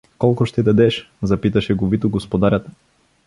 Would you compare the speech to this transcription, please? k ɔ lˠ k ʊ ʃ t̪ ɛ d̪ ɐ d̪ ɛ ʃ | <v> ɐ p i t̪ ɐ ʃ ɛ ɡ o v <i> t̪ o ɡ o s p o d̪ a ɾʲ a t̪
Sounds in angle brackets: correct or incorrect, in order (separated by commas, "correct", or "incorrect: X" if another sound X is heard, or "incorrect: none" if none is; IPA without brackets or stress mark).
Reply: incorrect: z, correct